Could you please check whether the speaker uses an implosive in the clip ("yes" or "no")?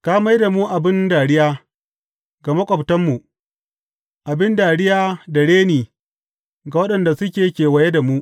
yes